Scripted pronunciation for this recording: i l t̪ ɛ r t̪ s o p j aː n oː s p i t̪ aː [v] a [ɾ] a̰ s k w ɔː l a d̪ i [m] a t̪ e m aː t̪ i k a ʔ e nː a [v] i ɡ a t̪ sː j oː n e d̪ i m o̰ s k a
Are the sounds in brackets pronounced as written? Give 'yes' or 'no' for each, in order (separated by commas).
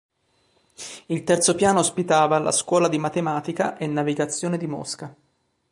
yes, no, yes, yes